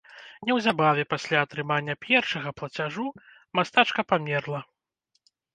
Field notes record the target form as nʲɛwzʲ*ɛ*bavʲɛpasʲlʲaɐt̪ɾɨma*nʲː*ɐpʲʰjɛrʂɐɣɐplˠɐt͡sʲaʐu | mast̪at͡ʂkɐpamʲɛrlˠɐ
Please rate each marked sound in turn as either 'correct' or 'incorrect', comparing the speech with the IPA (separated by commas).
incorrect, correct